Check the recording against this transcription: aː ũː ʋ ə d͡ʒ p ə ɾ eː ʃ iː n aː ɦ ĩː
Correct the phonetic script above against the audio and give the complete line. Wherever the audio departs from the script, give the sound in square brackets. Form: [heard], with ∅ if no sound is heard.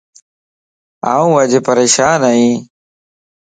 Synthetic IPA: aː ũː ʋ ə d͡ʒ p ə ɾ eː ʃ [aː] n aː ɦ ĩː

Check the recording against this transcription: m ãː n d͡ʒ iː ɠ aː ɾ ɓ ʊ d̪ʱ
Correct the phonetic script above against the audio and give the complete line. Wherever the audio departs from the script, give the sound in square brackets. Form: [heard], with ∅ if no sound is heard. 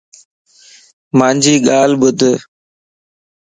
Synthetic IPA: m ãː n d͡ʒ iː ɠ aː [l] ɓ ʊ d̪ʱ

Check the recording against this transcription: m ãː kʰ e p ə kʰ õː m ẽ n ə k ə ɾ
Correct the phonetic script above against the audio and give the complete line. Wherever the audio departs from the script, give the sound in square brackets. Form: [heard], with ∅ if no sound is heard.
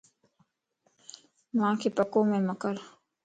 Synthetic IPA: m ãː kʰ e p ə [k] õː m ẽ [m] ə k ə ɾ

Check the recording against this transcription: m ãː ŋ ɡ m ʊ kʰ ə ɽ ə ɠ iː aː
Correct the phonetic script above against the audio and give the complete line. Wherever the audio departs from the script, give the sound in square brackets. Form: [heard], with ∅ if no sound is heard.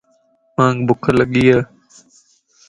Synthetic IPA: m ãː ŋ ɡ [b] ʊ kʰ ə [l] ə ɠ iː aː

